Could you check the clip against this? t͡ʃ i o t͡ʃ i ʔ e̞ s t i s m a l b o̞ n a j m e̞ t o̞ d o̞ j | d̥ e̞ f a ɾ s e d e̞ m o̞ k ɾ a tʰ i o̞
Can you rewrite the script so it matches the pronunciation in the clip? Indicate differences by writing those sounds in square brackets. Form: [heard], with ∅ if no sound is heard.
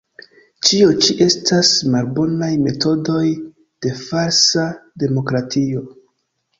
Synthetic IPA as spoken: t͡ʃ i o t͡ʃ i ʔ e̞ s t [a] s m a l b o̞ n a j m e̞ t o̞ d o̞ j | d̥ e̞ f a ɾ s [a] d e̞ m o̞ k ɾ a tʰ i o̞